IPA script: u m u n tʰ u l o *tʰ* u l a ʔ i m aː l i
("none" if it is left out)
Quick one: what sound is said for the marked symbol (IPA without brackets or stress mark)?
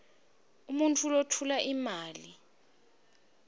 tʰ